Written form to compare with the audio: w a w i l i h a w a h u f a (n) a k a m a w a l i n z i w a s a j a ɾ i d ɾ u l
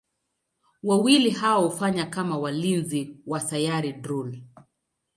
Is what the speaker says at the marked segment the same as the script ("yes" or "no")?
no